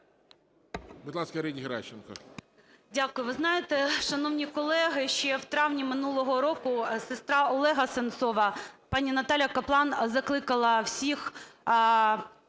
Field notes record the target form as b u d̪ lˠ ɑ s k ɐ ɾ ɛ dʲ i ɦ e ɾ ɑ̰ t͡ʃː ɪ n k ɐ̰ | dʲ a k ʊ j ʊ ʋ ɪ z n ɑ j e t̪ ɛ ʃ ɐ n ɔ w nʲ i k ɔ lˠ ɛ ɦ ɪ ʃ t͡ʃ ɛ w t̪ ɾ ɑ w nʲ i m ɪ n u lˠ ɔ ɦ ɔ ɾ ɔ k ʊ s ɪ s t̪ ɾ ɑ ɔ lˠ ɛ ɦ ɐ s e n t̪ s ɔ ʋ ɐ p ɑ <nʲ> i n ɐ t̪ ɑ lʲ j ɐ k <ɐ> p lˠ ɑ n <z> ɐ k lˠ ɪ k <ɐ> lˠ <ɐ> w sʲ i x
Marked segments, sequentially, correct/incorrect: correct, correct, correct, correct, correct

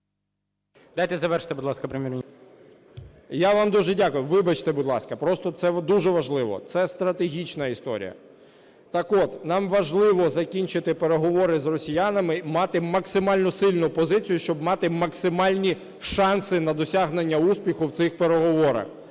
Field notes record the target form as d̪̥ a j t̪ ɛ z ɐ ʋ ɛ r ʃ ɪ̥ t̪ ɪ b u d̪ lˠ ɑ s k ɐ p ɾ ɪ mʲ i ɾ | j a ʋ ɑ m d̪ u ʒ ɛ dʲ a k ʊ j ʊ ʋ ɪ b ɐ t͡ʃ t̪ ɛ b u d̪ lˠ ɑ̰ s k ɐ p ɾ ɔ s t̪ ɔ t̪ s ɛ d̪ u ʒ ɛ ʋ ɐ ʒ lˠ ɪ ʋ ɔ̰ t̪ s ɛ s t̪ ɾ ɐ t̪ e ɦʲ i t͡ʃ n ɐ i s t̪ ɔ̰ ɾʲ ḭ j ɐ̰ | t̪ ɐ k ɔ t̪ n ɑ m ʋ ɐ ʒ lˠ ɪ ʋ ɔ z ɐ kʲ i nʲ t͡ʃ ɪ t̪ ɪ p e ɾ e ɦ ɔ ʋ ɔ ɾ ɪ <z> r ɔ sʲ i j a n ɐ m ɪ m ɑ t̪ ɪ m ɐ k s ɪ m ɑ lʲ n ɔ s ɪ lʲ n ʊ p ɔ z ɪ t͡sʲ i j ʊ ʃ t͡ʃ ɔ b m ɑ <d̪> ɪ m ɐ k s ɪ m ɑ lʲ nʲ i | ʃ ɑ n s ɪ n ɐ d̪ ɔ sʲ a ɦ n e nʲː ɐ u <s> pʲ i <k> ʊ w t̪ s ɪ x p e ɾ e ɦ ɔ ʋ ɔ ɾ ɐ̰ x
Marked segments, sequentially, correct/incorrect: correct, incorrect, correct, incorrect

